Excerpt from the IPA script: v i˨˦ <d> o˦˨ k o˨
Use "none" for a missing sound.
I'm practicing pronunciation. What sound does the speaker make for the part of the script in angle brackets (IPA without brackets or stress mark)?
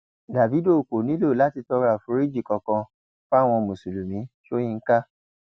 d